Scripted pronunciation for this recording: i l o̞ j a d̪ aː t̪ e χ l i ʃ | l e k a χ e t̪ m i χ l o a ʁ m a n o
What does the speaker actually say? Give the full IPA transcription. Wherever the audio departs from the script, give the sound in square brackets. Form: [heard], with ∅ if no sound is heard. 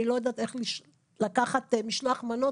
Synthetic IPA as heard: i l o̞ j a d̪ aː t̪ e χ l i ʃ | l [a] k a χ [a] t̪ m i [ʃ] l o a [χ] m a n o